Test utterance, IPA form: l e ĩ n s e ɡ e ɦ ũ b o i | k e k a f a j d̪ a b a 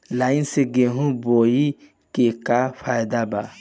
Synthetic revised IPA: l a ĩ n s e ɡ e ɦ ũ b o i | k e k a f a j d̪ a b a